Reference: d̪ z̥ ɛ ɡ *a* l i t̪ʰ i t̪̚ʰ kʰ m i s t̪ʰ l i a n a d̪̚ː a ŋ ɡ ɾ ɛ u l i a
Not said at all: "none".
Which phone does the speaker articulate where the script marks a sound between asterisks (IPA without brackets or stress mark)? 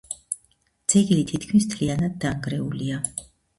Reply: i